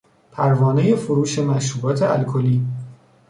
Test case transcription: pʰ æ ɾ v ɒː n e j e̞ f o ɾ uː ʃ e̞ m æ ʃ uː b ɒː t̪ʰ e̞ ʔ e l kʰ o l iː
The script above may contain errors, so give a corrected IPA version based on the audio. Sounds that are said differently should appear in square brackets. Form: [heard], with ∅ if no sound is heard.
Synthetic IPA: pʰ æ ɾ v ɒː n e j e̞ f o ɾ uː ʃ e̞ m æ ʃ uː b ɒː t̪ʰ e̞ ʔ [æ] l kʰ o l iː